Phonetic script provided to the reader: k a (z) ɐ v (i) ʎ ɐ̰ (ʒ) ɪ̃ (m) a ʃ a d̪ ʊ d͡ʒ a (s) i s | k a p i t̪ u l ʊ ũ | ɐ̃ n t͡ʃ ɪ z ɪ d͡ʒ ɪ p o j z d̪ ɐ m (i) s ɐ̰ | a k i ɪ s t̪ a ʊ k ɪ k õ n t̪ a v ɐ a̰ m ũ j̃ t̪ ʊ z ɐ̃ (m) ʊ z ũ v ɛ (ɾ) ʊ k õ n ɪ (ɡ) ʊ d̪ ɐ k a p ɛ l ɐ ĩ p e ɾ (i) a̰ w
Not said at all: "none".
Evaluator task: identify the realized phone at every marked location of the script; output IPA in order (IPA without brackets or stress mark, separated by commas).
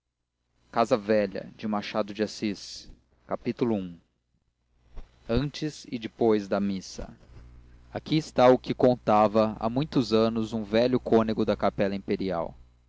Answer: z, ɛ, d͡ʒ, m, s, i, n, ʎ, ɡ, i